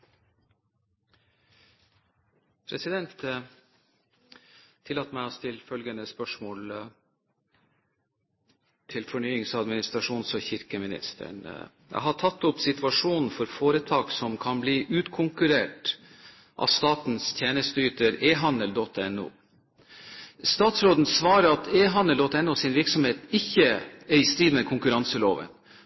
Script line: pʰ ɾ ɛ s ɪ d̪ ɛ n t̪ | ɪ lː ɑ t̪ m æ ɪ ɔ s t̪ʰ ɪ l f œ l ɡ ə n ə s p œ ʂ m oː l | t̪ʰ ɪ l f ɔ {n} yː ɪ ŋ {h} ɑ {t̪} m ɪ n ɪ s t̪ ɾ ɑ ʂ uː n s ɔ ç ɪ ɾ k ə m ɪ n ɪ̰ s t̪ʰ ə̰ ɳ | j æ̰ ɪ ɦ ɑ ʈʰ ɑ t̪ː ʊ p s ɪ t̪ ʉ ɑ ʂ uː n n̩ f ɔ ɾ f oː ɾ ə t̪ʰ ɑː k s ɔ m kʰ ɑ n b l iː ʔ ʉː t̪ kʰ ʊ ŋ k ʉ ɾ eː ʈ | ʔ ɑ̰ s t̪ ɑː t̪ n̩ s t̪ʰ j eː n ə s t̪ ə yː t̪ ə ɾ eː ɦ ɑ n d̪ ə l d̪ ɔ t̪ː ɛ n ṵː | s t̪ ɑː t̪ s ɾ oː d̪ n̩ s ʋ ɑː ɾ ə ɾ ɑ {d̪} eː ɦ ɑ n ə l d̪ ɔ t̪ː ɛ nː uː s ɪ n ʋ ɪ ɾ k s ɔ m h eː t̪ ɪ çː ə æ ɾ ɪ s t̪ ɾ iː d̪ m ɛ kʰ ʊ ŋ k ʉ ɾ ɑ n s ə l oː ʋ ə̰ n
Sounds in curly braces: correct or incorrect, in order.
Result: incorrect, incorrect, incorrect, incorrect

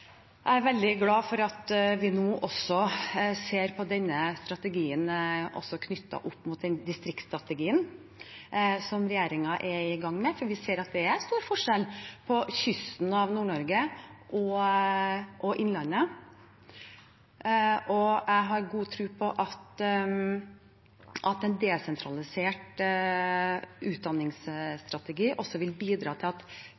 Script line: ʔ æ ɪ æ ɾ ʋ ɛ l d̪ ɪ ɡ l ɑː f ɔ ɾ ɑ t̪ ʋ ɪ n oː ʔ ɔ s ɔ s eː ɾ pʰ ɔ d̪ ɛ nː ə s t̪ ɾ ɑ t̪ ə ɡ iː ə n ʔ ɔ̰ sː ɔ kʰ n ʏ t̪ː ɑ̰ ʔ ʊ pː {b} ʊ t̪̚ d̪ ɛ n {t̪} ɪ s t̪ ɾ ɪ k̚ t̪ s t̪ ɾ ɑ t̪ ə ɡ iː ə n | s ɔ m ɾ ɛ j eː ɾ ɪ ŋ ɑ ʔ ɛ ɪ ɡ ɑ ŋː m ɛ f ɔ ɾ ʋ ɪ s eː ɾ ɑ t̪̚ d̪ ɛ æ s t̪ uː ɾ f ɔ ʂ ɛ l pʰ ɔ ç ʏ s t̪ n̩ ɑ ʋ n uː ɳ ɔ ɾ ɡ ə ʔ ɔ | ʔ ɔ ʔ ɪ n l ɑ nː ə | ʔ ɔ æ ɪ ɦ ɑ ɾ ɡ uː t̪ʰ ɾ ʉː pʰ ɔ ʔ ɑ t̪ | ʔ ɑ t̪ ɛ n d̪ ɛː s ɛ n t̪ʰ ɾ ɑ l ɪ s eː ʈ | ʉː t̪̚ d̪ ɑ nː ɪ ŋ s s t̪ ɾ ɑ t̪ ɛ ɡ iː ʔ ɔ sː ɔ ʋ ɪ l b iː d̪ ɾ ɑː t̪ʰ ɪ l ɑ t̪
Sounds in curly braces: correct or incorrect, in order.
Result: incorrect, incorrect

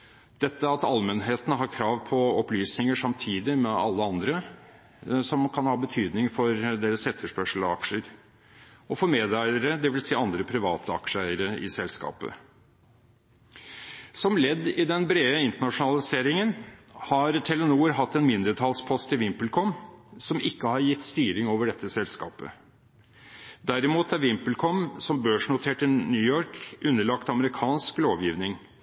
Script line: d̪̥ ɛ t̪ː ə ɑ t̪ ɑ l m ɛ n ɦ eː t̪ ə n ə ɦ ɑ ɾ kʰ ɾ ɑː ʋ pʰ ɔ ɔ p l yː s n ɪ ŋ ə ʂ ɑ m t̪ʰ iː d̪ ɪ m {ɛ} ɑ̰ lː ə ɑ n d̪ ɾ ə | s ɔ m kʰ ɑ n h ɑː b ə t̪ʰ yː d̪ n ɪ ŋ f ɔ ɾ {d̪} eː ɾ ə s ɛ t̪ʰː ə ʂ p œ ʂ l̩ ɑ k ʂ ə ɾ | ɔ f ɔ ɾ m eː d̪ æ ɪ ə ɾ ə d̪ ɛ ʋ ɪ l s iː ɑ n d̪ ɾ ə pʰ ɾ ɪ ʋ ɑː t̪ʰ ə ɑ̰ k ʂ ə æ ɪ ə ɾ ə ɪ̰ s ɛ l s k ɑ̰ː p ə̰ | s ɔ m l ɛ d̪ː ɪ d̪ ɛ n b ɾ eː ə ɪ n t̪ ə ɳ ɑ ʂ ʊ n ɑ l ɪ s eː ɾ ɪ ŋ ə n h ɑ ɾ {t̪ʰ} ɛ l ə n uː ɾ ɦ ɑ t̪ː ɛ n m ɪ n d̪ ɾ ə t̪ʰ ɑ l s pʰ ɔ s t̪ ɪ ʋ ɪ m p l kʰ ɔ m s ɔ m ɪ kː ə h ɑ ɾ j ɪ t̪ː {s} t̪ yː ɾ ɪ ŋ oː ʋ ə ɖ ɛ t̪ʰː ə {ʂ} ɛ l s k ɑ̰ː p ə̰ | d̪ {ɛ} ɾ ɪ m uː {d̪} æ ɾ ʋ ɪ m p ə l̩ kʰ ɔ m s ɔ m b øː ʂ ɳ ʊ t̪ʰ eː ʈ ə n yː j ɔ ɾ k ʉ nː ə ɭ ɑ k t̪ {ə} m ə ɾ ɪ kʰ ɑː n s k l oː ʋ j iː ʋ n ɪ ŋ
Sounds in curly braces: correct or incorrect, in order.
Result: correct, correct, correct, correct, incorrect, incorrect, incorrect, incorrect

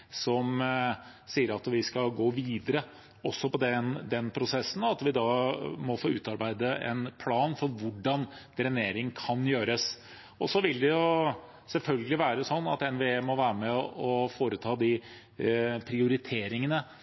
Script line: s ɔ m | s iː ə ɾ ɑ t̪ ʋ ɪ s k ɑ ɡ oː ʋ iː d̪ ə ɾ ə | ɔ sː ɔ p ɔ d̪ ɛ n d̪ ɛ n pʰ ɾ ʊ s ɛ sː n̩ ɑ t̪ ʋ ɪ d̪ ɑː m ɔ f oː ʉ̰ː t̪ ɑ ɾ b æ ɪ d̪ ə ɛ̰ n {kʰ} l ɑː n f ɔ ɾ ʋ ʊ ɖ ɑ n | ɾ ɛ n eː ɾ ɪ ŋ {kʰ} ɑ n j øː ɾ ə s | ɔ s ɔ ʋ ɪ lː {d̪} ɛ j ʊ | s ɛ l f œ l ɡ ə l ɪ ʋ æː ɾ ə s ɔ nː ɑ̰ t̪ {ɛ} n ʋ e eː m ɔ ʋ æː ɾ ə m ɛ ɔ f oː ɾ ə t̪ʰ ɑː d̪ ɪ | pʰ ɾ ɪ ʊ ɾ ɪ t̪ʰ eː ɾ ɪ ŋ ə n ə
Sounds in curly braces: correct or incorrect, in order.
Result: incorrect, correct, correct, correct

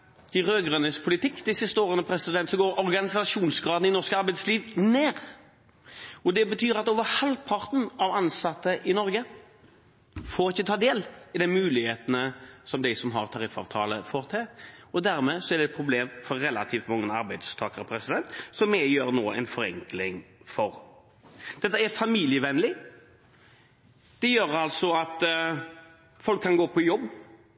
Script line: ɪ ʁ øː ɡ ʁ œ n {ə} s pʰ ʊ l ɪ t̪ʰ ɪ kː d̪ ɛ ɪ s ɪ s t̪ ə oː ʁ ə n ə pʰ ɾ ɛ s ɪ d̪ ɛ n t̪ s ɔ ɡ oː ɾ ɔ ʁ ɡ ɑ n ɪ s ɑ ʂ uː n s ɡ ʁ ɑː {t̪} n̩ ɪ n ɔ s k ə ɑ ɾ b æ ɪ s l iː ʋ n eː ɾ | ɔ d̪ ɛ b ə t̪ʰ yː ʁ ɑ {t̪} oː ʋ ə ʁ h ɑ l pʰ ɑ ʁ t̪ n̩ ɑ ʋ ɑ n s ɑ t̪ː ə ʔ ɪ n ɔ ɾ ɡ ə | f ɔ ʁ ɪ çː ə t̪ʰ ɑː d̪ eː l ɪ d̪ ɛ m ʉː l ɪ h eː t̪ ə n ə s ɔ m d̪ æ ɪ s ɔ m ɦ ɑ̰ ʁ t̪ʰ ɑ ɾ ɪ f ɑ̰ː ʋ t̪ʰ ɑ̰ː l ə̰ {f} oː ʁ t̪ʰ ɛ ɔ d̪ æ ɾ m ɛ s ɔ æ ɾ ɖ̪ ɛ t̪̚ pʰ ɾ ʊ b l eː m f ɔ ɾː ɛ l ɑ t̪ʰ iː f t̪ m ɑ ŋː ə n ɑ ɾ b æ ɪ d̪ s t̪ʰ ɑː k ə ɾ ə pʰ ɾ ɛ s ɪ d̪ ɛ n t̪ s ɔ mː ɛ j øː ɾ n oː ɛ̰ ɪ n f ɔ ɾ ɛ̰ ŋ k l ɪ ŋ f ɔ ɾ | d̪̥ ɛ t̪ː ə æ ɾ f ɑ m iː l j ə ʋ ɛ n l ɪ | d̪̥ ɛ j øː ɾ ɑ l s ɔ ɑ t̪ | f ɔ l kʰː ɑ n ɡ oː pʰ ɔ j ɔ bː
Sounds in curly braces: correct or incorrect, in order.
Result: correct, incorrect, correct, correct

